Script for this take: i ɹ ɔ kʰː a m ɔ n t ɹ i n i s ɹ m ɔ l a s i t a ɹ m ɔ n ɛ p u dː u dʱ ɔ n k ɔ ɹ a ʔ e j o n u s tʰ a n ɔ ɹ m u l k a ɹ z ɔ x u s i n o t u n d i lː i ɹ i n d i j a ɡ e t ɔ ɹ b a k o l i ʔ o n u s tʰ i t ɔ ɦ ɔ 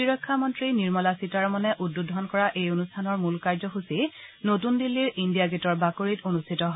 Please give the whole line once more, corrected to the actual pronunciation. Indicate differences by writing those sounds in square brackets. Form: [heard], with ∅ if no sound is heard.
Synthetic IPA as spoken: i ɹ ɔ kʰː a m ɔ n t ɹ i n i [∅] ɹ m ɔ l a s i t a ɹ m ɔ n ɛ [ʔ] u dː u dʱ ɔ n k ɔ ɹ a ʔ e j o n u s tʰ a n ɔ ɹ m u l k a ɹ z ɔ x u s i n o t u n d i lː i ɹ i n d i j a ɡ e t ɔ ɹ b a k o [ɹ] i [t] o n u s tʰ i t ɔ ɦ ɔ

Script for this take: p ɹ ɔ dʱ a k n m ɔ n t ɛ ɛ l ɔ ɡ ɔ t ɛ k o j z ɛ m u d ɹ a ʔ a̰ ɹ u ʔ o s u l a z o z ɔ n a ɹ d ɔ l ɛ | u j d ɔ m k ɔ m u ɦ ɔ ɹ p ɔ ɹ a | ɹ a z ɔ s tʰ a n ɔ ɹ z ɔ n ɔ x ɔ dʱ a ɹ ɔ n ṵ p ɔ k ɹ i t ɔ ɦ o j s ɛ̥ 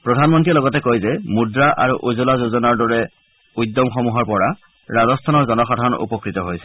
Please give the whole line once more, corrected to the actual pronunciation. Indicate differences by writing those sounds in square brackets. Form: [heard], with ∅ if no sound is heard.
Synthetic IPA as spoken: p ɹ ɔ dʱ a [∅] n m ɔ n t [i] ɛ l ɔ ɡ ɔ t ɛ k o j z ɛ m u d ɹ a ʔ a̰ ɹ u ʔ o [z] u l a z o z ɔ n a ɹ d ɔ [ɹ] ɛ | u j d ɔ m [x] ɔ m u ɦ ɔ ɹ p ɔ ɹ a | ɹ a z ɔ s tʰ a n ɔ ɹ z ɔ n ɔ x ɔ dʱ a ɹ ɔ n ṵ p ɔ k ɹ i t ɔ ɦ o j s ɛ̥

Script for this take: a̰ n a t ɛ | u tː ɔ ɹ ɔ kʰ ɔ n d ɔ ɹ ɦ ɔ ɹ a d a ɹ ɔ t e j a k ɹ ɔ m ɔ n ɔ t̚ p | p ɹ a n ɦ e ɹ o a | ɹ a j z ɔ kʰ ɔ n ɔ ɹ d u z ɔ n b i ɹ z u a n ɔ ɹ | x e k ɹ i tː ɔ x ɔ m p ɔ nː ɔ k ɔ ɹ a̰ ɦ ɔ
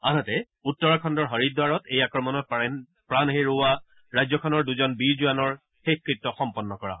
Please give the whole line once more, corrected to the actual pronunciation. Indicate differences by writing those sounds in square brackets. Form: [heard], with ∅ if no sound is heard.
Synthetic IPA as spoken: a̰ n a t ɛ | u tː ɔ ɹ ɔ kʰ ɔ n d ɔ ɹ ɦ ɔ ɹ [i] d a ɹ ɔ t e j a k ɹ ɔ m ɔ n ɔ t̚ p | p ɹ a n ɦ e ɹ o a | ɹ a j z ɔ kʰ ɔ n ɔ ɹ d u z ɔ n b i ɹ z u a n ɔ ɹ | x e k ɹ i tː ɔ x ɔ m p ɔ nː ɔ k ɔ ɹ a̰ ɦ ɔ

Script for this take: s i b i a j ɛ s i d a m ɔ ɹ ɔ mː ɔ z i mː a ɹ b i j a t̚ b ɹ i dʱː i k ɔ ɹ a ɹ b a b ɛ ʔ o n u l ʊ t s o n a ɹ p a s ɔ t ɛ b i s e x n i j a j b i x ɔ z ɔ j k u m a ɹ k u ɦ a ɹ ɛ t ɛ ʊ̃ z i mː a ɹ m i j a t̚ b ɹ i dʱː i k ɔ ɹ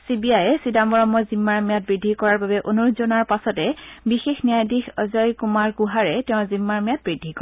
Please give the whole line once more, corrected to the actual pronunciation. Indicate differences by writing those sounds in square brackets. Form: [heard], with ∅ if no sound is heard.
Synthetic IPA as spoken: s i b i a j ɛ s i d a m ɔ ɹ ɔ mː ɔ z i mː a ɹ [m] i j a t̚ b ɹ i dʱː i k ɔ ɹ a ɹ b a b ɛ ʔ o n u [ɹ] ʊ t [z] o n a ɹ p a s ɔ t ɛ b i [x] e x n i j a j [d] i x ɔ z ɔ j k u m a ɹ k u ɦ a ɹ ɛ t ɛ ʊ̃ z i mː a ɹ m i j a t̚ b ɹ i dʱː i k ɔ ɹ

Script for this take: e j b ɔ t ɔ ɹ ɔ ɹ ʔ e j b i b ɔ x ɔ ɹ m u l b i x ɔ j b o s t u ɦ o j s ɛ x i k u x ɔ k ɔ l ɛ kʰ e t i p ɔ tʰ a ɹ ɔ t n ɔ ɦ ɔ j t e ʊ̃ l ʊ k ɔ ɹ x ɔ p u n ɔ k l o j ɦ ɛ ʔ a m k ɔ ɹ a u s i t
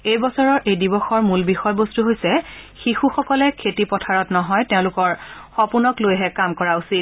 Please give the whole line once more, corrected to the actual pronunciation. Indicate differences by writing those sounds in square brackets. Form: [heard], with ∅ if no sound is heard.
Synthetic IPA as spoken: e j b ɔ [s] ɔ ɹ ɔ ɹ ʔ e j [d] i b ɔ x ɔ ɹ m u l b i x ɔ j b o s t u ɦ o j s ɛ x i [x] u x ɔ k ɔ l ɛ kʰ e t i p ɔ tʰ a ɹ ɔ t n ɔ ɦ ɔ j t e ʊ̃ l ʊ k ɔ ɹ x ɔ p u n ɔ k l o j ɦ ɛ [k] a m k ɔ ɹ a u s i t

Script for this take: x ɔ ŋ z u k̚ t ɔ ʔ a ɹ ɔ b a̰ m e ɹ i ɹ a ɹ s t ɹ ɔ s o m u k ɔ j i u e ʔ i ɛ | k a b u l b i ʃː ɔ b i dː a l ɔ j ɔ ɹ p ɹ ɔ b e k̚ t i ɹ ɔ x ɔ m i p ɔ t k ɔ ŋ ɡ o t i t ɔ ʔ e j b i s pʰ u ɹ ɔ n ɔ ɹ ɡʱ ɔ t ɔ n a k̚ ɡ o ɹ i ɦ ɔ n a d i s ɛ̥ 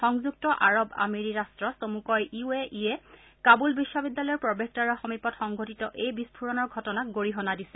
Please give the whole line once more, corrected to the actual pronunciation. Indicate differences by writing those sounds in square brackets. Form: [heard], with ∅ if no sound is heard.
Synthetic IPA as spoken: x ɔ ŋ z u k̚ t ɔ ʔ a ɹ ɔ b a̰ m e ɹ i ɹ a [∅] s t ɹ ɔ s o m u k ɔ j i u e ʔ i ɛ | k a b u l b i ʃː ɔ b i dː a l ɔ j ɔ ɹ p ɹ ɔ b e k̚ t [a] ɹ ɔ x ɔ m i p ɔ t [x] ɔ ŋ ɡ o t i t ɔ ʔ e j b i s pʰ u ɹ ɔ n ɔ ɹ ɡʱ ɔ t ɔ n a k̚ ɡ o ɹ i ɦ ɔ n a d i s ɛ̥

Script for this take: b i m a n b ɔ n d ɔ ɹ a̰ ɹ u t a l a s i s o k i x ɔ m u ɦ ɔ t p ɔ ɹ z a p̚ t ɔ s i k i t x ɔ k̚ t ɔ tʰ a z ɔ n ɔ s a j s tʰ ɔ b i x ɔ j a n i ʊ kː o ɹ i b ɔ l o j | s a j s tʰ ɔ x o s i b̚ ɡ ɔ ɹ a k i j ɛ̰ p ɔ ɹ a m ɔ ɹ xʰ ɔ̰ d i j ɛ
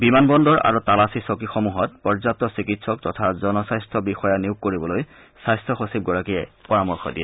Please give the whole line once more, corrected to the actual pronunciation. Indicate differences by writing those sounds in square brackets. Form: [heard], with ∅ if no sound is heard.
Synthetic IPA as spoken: b i m a n b ɔ n d ɔ ɹ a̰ ɹ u t a l a s i s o k i x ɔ m u ɦ ɔ t p ɔ ɹ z a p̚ t ɔ s i k i t [s] ɔ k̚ t ɔ tʰ a z ɔ n ɔ s a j s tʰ ɔ b i x ɔ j a n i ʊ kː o ɹ i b ɔ l o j | s a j s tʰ ɔ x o s i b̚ ɡ ɔ ɹ a k i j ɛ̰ p ɔ ɹ a m ɔ ɹ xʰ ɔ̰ d i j ɛ

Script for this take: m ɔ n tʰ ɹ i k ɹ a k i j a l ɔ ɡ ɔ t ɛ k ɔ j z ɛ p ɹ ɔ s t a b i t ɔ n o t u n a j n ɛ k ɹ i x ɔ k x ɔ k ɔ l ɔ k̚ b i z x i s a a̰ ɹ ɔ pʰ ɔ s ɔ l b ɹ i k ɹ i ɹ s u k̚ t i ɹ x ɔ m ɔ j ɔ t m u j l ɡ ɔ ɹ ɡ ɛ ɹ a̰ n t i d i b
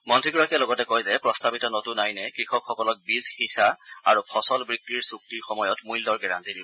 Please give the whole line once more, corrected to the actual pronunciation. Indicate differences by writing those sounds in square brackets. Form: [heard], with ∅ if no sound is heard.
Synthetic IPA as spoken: m ɔ n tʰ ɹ i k ɹ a k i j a l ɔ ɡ ɔ t ɛ k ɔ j z ɛ p ɹ ɔ s t a b i t ɔ n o t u n a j n ɛ k ɹ i x ɔ k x ɔ k ɔ l ɔ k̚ b i z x i s a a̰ ɹ [u] pʰ ɔ s ɔ l b ɹ i k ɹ i ɹ s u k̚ t i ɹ x ɔ m ɔ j ɔ t m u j l [d] ɔ ɹ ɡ ɛ ɹ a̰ n t i d i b

